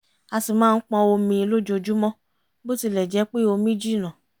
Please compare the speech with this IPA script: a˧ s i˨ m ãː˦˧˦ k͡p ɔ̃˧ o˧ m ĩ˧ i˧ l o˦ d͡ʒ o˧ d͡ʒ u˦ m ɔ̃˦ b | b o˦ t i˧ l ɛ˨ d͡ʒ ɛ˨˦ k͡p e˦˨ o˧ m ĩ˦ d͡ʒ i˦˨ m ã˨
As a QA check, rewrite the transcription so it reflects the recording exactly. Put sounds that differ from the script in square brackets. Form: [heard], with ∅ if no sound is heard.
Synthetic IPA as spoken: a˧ s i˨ m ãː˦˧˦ k͡p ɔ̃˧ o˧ m ĩ˧ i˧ l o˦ d͡ʒ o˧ d͡ʒ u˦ m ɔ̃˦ [∅] | b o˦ t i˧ l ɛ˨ d͡ʒ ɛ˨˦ k͡p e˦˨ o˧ m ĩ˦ d͡ʒ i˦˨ [n] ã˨